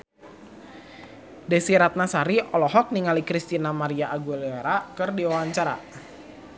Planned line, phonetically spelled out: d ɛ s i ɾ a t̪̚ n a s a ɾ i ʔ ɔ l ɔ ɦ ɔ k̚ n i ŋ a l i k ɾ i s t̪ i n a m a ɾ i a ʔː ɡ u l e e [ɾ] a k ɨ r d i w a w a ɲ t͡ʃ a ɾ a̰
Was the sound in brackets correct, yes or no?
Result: yes